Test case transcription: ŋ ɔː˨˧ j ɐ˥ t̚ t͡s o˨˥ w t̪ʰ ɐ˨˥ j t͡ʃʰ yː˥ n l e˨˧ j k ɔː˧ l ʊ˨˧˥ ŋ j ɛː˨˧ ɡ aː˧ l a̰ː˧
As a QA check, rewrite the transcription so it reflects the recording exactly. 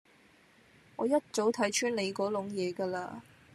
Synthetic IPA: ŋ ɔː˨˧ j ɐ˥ t̚ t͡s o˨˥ w t̪ʰ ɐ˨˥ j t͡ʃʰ yː˥ n l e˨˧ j k ɔː˨˥ l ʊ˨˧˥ ŋ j ɛː˨˧ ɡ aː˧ l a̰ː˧